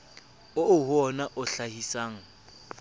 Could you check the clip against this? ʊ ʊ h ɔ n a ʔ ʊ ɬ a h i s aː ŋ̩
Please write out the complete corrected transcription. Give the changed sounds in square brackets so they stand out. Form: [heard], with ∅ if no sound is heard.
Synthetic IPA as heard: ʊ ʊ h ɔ n a ʔ ʊ ɬ a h i s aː ŋ̩